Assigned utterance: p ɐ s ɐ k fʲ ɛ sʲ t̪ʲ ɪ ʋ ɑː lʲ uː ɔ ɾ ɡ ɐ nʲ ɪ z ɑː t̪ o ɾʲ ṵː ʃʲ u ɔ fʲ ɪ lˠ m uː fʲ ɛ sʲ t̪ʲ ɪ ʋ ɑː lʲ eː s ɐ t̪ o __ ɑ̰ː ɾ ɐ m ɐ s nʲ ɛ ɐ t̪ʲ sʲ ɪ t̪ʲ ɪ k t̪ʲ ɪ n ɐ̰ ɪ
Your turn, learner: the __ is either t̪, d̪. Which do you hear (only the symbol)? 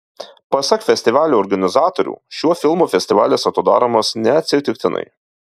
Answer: d̪